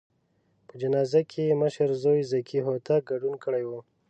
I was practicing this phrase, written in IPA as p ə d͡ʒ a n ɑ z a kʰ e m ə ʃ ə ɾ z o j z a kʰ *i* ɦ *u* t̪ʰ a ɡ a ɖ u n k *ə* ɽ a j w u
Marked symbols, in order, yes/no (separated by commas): yes, no, yes